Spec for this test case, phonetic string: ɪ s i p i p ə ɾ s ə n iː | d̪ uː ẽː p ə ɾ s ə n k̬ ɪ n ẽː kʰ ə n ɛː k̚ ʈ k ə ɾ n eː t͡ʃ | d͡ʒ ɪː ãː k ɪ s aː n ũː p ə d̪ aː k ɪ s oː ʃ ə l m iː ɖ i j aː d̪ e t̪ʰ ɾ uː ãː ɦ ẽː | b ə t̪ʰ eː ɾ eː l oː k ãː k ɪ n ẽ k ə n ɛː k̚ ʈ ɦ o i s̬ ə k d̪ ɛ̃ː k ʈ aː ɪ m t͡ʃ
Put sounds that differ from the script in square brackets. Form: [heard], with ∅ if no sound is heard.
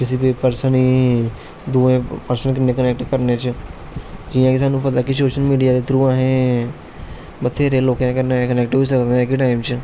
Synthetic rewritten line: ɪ s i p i p ə ɾ s ə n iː | d̪ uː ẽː p ə ɾ s ə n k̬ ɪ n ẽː [k] ə n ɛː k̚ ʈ k ə ɾ n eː t͡ʃ | d͡ʒ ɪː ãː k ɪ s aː n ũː p ə [t̪] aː k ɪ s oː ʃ ə l m iː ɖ i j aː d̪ e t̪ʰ ɾ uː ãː ɦ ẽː | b ə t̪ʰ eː ɾ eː l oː k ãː k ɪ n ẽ k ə n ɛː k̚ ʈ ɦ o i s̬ ə k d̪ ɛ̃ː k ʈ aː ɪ m t͡ʃ